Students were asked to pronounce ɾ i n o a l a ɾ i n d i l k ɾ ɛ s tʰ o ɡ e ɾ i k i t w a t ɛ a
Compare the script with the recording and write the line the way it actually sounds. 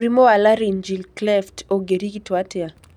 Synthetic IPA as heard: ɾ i m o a l a ɾ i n d͡ʒ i l k l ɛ f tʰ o ɡ e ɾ i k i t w a t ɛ a